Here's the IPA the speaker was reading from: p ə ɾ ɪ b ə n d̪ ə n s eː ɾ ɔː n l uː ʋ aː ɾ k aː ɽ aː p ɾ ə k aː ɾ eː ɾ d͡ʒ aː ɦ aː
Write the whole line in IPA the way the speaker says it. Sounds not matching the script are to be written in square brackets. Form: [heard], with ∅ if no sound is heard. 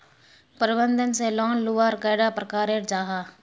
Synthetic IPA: p ə ɾ ɪ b ə n d̪ ə n s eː [l] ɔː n l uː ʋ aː ɾ k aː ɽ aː p ɾ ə k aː ɾ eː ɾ d͡ʒ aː ɦ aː